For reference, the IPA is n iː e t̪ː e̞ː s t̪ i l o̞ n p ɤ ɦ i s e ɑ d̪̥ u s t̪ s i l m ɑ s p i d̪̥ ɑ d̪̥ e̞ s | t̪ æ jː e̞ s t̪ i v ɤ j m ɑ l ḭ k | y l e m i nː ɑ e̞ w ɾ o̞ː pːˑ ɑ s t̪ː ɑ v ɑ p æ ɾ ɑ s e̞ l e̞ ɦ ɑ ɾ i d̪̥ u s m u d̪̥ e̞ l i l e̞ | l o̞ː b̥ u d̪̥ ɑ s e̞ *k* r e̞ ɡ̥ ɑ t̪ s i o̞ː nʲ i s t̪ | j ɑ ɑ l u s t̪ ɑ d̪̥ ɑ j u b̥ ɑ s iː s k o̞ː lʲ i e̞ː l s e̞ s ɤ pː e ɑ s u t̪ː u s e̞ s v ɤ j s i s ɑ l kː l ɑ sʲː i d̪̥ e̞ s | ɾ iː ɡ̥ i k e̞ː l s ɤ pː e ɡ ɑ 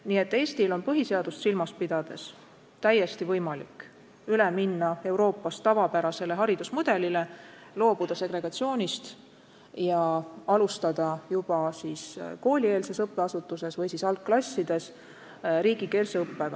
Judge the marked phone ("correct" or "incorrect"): incorrect